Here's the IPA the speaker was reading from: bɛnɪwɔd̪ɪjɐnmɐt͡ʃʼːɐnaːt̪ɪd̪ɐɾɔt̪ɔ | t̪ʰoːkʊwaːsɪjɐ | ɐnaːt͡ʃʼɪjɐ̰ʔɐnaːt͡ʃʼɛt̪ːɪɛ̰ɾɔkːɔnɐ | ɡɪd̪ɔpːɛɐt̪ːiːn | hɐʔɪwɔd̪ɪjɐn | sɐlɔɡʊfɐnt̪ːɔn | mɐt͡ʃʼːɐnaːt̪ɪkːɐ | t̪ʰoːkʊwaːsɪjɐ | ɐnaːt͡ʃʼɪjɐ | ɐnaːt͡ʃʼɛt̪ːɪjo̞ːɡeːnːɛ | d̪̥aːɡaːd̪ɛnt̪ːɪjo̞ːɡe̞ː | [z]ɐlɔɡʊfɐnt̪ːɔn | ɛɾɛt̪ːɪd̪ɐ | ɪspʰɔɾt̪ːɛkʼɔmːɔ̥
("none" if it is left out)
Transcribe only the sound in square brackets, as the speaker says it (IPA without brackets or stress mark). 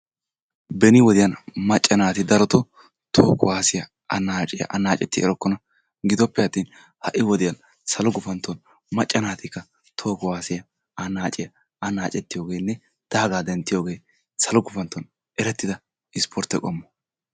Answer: s